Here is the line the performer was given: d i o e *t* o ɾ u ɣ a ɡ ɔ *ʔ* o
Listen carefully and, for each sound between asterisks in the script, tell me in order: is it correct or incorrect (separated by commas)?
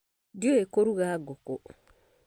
incorrect, incorrect